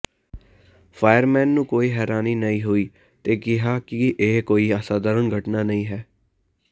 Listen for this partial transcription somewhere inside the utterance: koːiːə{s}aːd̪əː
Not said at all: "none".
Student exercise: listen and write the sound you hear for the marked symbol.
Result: s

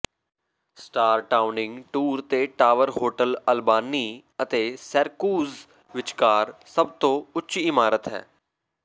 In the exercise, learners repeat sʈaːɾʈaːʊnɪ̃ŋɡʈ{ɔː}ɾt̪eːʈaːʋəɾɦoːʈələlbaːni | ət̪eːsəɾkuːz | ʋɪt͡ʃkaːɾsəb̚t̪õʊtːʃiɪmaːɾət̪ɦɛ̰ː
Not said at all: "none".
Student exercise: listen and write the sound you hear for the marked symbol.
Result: uː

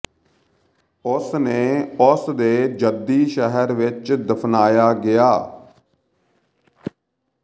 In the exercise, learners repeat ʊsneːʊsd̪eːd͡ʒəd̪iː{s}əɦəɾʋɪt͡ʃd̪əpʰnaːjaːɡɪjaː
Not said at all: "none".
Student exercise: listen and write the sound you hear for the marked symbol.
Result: ʃ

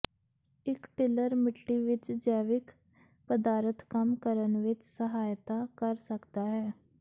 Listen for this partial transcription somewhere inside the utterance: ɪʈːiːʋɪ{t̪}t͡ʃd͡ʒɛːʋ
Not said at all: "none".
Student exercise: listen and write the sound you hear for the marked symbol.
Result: none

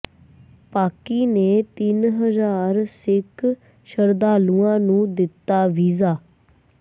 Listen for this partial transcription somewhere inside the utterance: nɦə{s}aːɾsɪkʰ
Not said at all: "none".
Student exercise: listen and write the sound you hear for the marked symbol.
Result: z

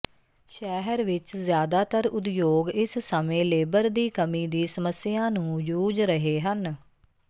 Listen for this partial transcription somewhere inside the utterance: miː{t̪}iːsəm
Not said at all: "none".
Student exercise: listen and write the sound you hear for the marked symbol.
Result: d̪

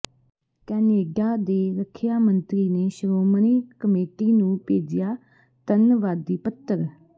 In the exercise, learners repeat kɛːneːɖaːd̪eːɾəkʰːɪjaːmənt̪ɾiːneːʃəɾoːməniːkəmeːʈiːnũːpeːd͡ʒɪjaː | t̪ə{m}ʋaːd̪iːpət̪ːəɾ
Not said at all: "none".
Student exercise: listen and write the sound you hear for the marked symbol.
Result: n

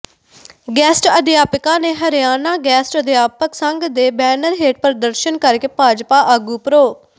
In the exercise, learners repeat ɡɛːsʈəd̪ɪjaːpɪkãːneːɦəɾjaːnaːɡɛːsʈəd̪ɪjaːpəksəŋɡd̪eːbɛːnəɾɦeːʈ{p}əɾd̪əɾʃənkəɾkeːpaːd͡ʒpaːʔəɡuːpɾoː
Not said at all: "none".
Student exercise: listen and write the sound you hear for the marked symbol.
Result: p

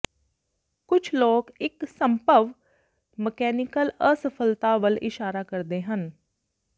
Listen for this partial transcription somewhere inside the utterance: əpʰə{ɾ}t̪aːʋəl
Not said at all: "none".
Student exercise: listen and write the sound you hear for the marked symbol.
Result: l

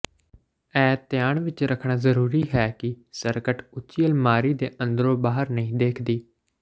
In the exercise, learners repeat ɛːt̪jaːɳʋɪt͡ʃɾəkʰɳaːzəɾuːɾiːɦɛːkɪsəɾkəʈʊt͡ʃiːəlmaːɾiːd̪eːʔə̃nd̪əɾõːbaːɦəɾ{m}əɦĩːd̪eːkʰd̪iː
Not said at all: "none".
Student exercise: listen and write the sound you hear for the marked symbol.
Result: n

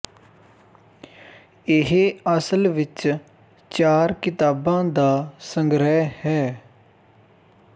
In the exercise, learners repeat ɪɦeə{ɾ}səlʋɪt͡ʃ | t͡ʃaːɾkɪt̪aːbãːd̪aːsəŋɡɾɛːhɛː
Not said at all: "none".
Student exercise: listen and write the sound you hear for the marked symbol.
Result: none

